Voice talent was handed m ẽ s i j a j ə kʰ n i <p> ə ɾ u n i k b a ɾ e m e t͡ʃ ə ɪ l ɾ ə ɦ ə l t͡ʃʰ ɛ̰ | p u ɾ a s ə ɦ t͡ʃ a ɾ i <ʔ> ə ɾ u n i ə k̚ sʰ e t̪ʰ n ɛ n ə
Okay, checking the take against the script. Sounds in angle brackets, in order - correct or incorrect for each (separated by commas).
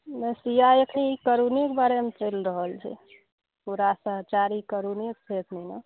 incorrect, incorrect